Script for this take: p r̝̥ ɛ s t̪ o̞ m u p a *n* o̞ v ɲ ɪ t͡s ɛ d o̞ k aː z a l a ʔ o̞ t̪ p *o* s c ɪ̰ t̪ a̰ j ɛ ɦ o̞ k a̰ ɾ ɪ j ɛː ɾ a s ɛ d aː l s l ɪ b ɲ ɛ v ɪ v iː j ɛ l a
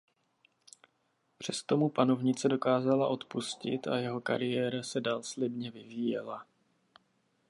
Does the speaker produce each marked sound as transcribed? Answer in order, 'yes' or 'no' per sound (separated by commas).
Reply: yes, no